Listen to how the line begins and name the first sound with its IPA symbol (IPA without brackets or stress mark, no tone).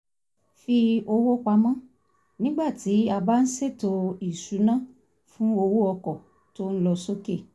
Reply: f